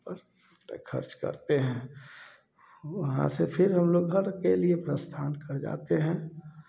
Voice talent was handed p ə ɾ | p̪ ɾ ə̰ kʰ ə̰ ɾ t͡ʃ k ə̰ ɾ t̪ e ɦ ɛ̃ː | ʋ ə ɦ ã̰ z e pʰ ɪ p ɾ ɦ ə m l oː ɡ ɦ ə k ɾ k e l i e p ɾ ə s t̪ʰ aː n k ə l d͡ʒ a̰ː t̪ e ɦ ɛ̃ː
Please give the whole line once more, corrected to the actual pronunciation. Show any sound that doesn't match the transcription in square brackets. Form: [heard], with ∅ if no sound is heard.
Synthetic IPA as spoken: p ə ɾ | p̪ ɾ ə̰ kʰ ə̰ ɾ t͡ʃ k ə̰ ɾ t̪ e ɦ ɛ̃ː | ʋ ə ɦ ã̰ [s] e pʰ ɪ [∅] ɾ ɦ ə m l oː ɡ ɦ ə [∅] ɾ k e l i e p ɾ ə s t̪ʰ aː n k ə [ɾ] d͡ʒ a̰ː t̪ e ɦ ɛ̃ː